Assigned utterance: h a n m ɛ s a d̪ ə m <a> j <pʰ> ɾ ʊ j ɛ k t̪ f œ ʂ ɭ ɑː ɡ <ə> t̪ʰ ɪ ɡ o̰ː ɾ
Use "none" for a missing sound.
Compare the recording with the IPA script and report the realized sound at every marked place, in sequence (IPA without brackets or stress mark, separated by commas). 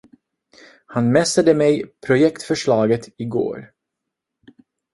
ɛ, pʰ, ə